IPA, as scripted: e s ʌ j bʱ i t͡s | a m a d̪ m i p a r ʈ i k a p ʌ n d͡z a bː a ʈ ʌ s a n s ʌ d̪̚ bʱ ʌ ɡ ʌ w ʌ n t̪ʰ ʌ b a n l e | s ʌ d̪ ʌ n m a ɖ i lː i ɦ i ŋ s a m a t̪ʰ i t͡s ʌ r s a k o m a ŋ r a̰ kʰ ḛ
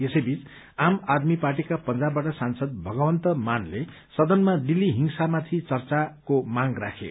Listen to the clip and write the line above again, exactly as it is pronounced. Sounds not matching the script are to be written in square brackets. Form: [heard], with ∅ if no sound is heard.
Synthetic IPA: e s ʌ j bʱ i t͡s | a m a d̪ m i p a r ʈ i k a p ʌ n d͡z a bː a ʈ ʌ s a n s ʌ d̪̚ bʱ ʌ ɡ ʌ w ʌ n [t̪] ʌ [m] a n l e | s ʌ d̪ ʌ n m a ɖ i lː i ɦ i ŋ s a m a t̪ʰ i t͡s ʌ r [t͡s] a k o m a ŋ r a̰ kʰ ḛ